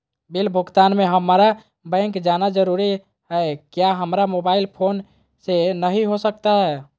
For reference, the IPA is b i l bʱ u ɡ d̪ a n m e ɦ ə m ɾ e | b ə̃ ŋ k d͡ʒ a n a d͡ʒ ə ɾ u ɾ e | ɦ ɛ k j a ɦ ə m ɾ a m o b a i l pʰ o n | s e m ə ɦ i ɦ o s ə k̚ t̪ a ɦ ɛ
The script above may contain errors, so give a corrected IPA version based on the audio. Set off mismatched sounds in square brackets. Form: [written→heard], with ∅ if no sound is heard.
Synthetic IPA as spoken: b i l bʱ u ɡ [d̪→t̪] a n m e ɦ ə m ɾ [e→a] | b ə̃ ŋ k d͡ʒ a n a d͡ʒ ə ɾ u ɾ [e→i] | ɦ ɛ k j a ɦ ə m ɾ a m o b a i l pʰ o n | s e [m→n] ə ɦ i ɦ o s ə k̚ t̪ a ɦ ɛ

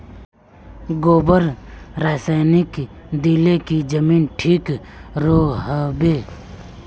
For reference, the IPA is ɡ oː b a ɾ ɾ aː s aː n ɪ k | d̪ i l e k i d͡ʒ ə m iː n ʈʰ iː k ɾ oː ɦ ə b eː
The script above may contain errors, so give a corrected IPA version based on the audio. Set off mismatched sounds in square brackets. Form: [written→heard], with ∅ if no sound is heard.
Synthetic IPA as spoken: ɡ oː b [a→ə] ɾ ɾ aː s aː n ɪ k | d̪ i l e k i d͡ʒ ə m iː n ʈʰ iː k ɾ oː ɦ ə b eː

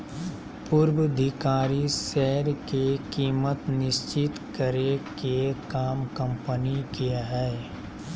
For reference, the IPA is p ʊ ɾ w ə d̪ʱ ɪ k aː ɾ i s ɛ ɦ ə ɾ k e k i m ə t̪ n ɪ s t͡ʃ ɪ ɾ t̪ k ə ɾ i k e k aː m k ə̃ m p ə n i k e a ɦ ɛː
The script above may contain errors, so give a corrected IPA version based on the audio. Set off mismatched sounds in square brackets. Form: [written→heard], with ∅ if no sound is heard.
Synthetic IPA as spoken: p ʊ ɾ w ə d̪ʱ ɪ k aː ɾ i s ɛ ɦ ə ɾ k e k [i→iː] m ə t̪ n ɪ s t͡ʃ ɪ [ɾ→∅] t̪ k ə ɾ [i→e] k e k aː m k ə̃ m p ə n i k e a ɦ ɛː

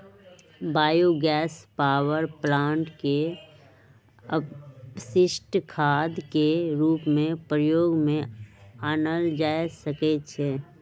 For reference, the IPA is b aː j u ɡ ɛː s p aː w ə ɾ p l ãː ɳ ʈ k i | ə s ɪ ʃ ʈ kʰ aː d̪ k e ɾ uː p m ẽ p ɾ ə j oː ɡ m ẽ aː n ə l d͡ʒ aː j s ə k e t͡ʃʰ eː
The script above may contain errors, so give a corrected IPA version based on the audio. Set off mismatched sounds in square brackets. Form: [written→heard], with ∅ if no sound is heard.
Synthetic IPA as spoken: b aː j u ɡ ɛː s p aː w ə ɾ p l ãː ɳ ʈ k [i→e] | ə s ɪ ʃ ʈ kʰ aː d̪ k e ɾ uː p m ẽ p ɾ ə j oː ɡ m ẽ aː n ə l d͡ʒ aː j s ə k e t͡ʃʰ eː

